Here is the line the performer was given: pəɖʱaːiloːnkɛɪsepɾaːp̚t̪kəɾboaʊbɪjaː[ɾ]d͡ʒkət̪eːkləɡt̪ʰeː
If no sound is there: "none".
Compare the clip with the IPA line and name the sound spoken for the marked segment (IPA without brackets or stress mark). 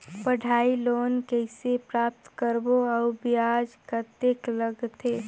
none